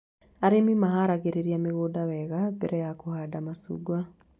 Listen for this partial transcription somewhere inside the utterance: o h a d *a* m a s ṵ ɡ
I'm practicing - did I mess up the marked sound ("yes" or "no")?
no